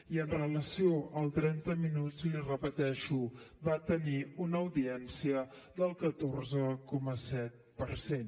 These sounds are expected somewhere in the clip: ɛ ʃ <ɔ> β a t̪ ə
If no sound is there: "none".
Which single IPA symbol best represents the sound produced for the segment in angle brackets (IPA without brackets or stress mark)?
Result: u